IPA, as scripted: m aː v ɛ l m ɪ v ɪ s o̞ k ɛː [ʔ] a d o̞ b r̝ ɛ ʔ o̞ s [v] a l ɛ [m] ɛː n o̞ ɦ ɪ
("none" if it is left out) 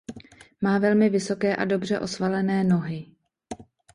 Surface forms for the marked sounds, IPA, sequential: ʔ, v, n

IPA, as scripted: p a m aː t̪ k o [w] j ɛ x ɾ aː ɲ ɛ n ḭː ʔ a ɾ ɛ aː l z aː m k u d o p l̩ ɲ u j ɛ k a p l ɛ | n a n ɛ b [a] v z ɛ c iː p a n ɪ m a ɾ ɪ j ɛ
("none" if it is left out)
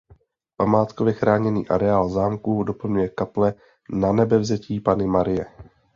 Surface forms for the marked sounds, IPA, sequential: v, ɛ

